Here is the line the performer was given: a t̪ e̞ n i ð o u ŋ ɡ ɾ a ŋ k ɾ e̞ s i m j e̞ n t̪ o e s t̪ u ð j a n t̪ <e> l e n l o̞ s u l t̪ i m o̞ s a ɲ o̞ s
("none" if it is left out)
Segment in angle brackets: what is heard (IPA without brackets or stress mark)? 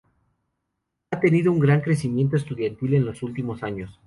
i